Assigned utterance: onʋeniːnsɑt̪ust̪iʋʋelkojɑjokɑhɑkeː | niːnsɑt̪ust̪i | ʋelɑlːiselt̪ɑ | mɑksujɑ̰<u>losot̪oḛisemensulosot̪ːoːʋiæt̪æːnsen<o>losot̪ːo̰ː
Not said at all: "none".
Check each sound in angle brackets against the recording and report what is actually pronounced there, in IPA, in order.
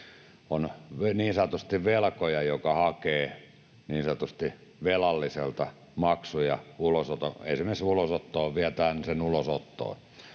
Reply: u, u

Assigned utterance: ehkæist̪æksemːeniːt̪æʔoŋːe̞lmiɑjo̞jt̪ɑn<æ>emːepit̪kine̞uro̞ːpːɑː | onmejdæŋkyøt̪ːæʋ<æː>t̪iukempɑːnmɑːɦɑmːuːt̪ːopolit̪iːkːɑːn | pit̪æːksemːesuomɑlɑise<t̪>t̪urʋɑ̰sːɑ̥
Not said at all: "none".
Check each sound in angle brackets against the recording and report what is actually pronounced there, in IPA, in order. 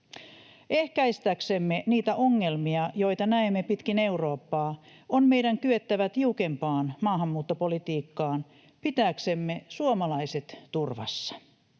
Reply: æ, æ, t̪

